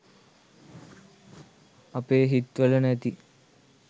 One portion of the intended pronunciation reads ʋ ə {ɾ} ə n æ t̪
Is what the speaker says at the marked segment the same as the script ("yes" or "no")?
no